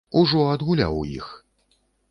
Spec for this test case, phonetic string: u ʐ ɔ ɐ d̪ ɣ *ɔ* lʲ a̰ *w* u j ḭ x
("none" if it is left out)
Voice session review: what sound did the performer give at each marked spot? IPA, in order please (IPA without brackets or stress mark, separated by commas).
u, w